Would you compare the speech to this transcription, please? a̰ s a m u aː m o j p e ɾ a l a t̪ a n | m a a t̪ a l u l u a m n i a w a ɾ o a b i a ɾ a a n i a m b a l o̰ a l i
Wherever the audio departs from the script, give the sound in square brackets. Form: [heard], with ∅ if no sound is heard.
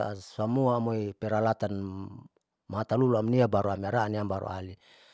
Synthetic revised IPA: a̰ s a m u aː m o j p e ɾ a l a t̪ a n | m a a t̪ a l u l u a m n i a [b] a ɾ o a [m] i a ɾ a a n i a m b a [ɾ] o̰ a l i